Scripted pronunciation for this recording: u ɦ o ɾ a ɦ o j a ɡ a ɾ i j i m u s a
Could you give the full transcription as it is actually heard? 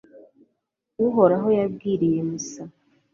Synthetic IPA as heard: u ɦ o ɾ a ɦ o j a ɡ i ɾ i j e m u s a